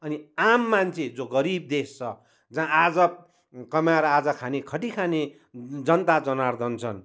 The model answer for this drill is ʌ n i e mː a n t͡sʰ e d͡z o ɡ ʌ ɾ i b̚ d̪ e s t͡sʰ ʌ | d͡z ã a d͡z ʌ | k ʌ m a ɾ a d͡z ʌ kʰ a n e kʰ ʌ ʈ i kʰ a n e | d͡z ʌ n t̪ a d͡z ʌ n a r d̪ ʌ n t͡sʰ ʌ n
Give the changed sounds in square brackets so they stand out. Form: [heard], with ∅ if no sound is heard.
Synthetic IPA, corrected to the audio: ʌ n i [a] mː a n t͡sʰ e d͡z o ɡ ʌ ɾ i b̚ d̪ e s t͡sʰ ʌ | d͡z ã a d͡z ʌ | k ʌ m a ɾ a d͡z ʌ kʰ a n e kʰ ʌ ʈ i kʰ a n e | d͡z ʌ n t̪ a d͡z ʌ n a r d̪ ʌ n t͡sʰ ʌ n